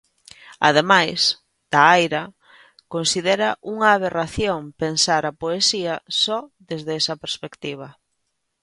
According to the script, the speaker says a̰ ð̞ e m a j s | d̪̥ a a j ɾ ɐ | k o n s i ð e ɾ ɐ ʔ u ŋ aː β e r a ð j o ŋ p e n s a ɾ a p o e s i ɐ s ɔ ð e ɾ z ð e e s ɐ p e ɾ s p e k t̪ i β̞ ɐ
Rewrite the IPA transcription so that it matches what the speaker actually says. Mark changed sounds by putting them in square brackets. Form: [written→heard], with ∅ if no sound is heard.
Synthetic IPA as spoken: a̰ ð̞ e m a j s | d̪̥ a a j ɾ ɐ | k o n s i ð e ɾ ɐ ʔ u ŋ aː β e r a [ð→θ] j o ŋ p e n s a ɾ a p o e s i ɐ s ɔ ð e [ɾ→∅] z ð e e s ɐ p e ɾ s p e k t̪ i β̞ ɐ